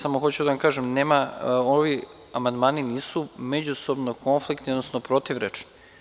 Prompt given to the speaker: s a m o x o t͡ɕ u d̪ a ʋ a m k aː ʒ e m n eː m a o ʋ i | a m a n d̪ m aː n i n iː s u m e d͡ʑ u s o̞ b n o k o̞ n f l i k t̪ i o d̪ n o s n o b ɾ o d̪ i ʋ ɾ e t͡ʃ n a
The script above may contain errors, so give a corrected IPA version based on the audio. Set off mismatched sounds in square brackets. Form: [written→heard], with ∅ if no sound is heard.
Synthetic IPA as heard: s a m o x o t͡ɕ u d̪ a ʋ a m k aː ʒ e m n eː m a o ʋ i | a m a n d̪ m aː n i n iː s u m e d͡ʑ u s o̞ b n o k o̞ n f l i k t̪ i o d̪ n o s n o [b→p] ɾ o [d̪→t̪] i ʋ ɾ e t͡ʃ n [a→i]